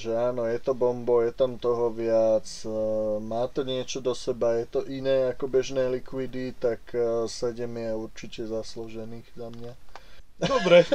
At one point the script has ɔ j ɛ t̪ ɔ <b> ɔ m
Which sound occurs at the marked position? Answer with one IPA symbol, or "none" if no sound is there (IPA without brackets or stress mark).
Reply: b